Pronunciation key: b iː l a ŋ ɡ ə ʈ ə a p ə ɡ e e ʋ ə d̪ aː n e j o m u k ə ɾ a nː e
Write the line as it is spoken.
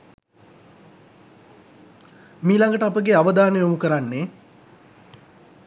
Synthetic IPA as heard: m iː l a ŋ ɡ ə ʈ ə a p ə ɡ e a ʋ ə d̪ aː n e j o m u k ə ɾ a nː e